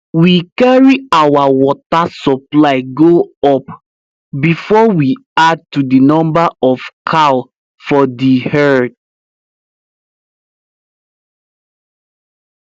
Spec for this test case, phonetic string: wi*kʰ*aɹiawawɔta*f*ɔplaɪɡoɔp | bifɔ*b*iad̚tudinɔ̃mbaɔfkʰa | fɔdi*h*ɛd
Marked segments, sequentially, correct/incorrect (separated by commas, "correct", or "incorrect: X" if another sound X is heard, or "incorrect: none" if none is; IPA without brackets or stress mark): incorrect: k, incorrect: s, incorrect: w, correct